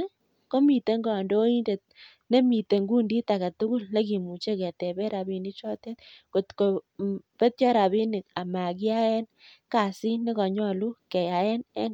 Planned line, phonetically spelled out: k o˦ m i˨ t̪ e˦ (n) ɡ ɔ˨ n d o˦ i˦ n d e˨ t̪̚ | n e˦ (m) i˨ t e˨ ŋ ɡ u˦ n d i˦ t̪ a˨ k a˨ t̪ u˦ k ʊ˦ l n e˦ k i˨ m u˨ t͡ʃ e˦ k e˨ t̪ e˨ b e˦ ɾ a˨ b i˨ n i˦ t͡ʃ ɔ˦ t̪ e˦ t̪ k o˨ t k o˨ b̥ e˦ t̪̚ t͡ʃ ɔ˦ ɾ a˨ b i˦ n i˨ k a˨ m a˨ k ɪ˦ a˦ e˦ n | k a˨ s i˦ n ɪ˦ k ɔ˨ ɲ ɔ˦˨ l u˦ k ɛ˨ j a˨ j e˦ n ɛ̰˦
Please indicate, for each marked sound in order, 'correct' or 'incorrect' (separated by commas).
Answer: incorrect, correct